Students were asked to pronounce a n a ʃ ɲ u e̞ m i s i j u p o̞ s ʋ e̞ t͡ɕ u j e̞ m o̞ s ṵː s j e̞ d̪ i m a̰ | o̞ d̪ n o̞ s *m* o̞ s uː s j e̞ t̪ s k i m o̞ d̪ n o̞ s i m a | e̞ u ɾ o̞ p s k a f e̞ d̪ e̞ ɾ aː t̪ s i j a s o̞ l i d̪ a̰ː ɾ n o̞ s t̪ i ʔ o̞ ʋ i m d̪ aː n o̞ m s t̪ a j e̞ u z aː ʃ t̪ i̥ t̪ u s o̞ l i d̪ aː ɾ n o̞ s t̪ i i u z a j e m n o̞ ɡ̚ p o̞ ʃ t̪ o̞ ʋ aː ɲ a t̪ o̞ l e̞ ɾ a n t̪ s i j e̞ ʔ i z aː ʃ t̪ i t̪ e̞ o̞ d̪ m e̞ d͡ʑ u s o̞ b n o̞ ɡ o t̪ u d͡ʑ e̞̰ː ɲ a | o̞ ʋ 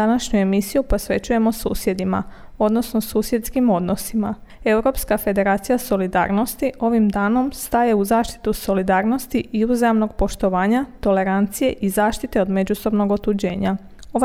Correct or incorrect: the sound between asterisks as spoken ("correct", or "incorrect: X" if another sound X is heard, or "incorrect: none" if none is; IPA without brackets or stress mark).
incorrect: n